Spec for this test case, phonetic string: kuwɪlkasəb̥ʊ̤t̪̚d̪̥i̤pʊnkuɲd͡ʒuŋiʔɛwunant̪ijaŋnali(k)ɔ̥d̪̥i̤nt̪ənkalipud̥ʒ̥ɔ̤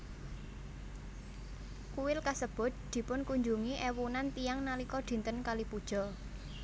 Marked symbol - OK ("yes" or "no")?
yes